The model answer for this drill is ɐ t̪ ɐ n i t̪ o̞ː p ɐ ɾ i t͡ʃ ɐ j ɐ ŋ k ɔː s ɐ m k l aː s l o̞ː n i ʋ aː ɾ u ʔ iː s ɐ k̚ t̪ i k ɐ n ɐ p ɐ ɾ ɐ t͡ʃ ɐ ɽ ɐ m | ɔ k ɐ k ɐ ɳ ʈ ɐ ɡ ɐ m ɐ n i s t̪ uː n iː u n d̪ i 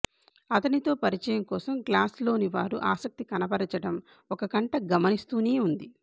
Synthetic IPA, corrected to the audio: ɐ t̪ ɐ n i t̪ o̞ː p ɐ ɾ i t͡ʃ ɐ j ɐ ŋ k ɔː s ɐ m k l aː s l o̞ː n i ʋ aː ɾ u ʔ aː s ɐ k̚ t̪ i k ɐ n ɐ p ɐ ɾ ɐ t͡ʃ ɐ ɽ ɐ m | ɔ k ɐ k ɐ ɳ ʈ ɐ ɡ ɐ m ɐ n i s t̪ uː n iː u n d̪ i

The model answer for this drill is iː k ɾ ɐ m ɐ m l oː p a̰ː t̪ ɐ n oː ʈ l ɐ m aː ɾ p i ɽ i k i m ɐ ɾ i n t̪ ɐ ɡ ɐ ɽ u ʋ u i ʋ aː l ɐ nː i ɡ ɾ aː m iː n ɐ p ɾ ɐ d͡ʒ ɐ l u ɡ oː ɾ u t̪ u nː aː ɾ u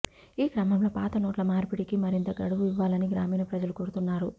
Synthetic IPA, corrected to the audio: iː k ɾ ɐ m ɐ m l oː p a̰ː t̪ ɐ n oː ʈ l ɐ m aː ɾ p i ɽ i k i m ɐ ɾ i n t̪ ɐ ɡ ɐ ɽ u ʋ u i ʋː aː l ɐ n i ɡ ɾ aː m iː n ɐ p ɾ ɐ d͡ʒ ɐ l u k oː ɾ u t̪ u nː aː ɾ u

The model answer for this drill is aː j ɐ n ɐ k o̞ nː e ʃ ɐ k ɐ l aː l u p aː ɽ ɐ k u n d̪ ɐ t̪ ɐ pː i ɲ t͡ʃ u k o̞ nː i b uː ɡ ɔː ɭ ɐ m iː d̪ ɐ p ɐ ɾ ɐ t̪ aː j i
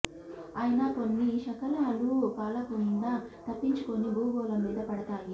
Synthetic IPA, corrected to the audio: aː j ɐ n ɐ k o̞ nː i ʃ ɐ k ɐ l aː l u p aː l ɐ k u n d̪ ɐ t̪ ɐ pː i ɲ t͡ʃ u k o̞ n i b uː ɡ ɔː l ɐ m iː d̪ ɐ p ɐ ɽ ɐ t̪ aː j i

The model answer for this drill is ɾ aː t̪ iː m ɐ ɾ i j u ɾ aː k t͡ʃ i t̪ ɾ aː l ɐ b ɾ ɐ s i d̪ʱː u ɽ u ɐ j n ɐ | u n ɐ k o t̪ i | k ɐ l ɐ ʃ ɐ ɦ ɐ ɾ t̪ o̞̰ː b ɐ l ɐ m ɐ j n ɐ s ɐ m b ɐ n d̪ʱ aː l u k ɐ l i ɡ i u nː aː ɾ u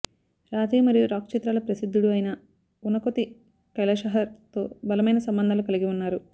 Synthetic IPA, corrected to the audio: ɾ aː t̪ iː m ɐ ɾ i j u ɾ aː k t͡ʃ i t̪ ɾ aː l ɐ p ɾ ɐ s i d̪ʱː u ɽ u ɐ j n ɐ | u n ɐ k o t̪ i | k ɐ l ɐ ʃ ɐ ɦ ɐ ɾ t̪ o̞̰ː b ɐ l ɐ m ɐ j n ɐ s ɐ m b ɐ n d̪ʱ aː l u k ɐ l i ɡ i u nː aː ɾ u

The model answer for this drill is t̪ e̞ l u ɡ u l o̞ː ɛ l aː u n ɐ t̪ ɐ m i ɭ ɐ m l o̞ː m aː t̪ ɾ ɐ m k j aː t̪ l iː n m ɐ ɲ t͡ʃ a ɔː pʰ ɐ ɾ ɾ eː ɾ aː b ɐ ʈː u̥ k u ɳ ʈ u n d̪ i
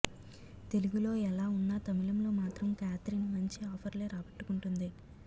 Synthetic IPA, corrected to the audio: t̪ e̞ l u ɡ u l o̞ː ɛ l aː u nː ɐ t̪ ɐ m i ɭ ɐ m l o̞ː m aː t̪ ɾ ɐ m k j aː t̪ ɾ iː n m ɐ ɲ t͡ʃ i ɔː pʰ ɐ ɾ l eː ɾ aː b ɐ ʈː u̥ k u ɳ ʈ u n d̪ i

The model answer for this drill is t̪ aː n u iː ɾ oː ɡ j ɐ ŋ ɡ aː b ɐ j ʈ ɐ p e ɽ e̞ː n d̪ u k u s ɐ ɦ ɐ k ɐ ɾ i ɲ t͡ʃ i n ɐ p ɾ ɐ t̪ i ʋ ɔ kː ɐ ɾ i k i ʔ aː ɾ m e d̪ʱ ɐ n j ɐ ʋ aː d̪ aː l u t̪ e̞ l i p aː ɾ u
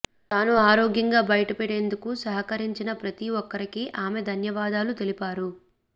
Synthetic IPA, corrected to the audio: t̪ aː n u aː ɾ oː ɡ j ɐ ŋ ɡ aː b ɐ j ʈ ɐ p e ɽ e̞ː n d̪ u k u s ɐ ɦ ɐ k ɐ ɾ i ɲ t͡ʃ i n ɐ p ɾ ɐ t̪ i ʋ ɔ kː ɐ ɾ i k i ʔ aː m e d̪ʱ ɐ n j ɐ ʋ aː d̪ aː l u t̪ e̞ l i p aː ɾ u

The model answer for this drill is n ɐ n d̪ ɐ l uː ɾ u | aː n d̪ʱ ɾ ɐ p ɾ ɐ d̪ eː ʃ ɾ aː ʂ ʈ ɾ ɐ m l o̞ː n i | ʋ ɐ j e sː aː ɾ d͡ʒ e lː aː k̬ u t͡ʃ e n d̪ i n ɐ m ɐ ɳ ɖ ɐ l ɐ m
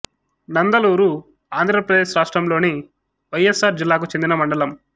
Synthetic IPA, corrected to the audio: n ɐ n d̪ ɐ l uː ɾ u | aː n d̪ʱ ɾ ɐ p ɾ ɐ d̪ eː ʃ ɾ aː ʂ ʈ ɾ ɐ m l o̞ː n i | ʋ ɐ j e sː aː ɾ d͡ʒ i lː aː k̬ u t͡ʃ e n d̪ i n ɐ m ɐ ɳ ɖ ɐ l ɐ m

